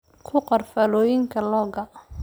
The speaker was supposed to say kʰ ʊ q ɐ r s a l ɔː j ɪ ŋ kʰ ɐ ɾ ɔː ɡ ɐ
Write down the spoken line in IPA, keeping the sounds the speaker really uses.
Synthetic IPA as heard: kʰ ʊ q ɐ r f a l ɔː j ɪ ŋ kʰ ɐ l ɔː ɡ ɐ